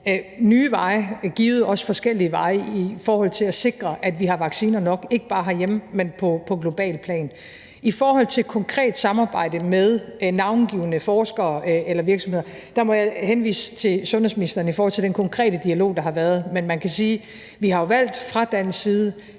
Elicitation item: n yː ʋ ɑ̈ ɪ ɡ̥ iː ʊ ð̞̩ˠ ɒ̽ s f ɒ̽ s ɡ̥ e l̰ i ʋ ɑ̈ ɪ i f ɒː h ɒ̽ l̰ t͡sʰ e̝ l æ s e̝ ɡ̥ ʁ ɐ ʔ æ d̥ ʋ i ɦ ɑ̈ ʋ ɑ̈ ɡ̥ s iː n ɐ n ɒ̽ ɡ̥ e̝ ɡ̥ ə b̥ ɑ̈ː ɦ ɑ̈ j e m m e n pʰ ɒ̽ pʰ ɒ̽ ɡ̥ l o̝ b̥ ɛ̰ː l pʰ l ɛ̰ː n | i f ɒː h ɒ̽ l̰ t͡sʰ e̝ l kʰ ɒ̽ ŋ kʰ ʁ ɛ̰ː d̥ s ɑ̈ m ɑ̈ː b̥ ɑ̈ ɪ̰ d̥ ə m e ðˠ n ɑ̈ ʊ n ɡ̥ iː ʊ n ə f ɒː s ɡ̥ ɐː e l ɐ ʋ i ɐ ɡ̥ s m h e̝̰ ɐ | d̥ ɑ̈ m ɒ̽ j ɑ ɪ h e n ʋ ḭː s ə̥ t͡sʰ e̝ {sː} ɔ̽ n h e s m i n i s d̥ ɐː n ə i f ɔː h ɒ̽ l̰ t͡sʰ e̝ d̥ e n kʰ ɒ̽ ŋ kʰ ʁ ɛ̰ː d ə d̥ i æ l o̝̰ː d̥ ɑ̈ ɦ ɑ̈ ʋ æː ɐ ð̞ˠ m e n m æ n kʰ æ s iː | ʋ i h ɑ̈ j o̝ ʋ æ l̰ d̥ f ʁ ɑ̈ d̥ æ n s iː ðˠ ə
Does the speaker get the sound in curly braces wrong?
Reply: yes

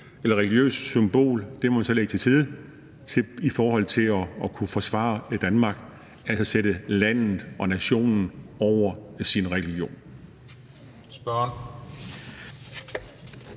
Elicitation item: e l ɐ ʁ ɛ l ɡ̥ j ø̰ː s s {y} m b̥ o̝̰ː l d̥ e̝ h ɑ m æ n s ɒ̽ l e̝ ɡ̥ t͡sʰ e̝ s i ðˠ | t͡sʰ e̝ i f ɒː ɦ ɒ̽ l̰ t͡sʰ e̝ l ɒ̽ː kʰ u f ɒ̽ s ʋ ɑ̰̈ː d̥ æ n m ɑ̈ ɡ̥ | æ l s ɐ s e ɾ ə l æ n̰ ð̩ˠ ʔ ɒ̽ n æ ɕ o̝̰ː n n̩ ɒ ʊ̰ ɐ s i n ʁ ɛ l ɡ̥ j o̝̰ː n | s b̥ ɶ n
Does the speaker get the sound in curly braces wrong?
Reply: no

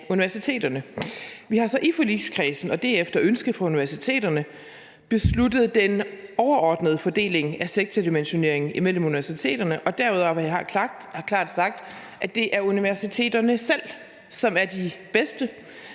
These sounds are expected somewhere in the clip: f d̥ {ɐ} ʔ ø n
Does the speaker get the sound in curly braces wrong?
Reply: no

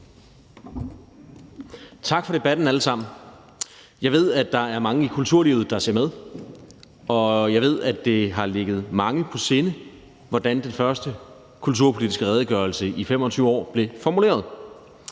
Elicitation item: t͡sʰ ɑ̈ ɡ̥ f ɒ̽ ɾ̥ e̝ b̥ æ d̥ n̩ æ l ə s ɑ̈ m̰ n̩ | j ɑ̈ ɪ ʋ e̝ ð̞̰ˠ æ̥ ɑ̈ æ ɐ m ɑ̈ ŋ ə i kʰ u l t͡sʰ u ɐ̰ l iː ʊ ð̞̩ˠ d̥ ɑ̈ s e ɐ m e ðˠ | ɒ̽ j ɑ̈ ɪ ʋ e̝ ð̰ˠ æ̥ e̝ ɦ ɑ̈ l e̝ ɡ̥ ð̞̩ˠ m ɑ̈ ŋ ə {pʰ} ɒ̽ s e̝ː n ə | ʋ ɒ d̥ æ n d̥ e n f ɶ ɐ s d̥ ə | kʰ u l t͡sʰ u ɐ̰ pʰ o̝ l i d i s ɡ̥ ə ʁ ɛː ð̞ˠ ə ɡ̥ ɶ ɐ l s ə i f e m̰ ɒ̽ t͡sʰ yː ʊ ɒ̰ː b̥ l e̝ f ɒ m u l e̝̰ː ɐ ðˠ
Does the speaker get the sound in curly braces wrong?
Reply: no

